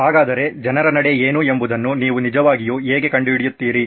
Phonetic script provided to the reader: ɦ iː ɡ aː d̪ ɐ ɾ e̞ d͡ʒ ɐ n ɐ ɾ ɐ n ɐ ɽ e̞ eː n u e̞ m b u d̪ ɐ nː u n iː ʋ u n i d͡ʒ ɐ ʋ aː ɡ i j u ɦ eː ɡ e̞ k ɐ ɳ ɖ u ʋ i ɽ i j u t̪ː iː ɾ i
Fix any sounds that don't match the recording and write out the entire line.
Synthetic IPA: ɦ aː ɡ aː d̪ ɐ ɾ e̞ d͡ʒ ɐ n ɐ ɾ ɐ n ɐ ɽ e̞ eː n u e̞ m b u d̪ ɐ nː u n iː ʋ u n i d͡ʒ ɐ ʋ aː ɡ i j u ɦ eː ɡ e̞ k ɐ ɳ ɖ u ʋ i ɽ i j u t̪ː iː ɾ i